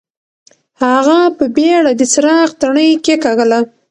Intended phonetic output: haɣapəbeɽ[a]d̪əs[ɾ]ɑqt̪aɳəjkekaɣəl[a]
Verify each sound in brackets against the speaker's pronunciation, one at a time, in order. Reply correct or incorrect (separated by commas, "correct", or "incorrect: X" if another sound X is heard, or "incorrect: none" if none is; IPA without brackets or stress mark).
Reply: correct, correct, correct